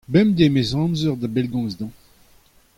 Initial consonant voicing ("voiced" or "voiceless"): voiced